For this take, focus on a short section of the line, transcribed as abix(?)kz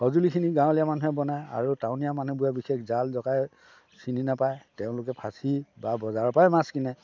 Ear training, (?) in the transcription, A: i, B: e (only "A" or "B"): B